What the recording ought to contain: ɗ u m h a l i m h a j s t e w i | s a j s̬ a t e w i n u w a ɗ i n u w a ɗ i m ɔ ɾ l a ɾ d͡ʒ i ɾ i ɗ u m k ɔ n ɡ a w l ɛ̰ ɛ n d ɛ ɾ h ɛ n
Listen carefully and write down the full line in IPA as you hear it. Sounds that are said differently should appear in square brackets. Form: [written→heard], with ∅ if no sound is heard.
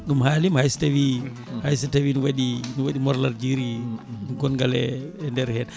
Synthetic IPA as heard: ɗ u m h a l i m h a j s t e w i | [s→h] a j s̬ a t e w i n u w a ɗ i n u w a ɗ i m ɔ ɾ l a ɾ d͡ʒ i ɾ i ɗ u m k ɔ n ɡ a [w→∅] l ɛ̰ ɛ n d ɛ ɾ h ɛ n